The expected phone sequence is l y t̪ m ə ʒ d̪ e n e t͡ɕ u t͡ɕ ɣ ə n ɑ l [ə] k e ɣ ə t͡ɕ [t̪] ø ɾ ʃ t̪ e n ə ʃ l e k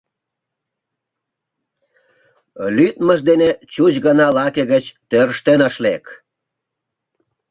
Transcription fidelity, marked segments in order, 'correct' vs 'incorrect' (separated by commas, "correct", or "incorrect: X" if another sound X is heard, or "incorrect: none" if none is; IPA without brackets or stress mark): incorrect: ɑ, correct